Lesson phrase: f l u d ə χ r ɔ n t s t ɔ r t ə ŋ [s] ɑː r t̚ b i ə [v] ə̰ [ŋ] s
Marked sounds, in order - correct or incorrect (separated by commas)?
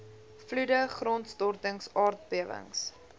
correct, correct, correct